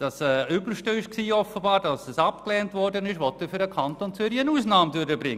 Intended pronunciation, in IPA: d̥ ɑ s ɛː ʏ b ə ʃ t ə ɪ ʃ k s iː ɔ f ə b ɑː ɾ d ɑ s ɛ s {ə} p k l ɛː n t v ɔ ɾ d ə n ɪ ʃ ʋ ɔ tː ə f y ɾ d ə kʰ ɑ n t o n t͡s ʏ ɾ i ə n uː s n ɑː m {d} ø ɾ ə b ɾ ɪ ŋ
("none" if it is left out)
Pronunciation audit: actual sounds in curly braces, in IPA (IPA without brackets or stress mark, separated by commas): ɑ, d